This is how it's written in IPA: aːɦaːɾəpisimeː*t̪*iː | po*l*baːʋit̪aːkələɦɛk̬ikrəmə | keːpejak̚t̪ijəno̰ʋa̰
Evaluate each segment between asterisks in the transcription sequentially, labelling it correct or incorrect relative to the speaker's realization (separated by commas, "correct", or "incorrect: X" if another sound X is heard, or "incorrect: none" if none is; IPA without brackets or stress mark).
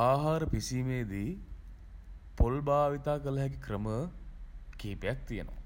incorrect: d̪, correct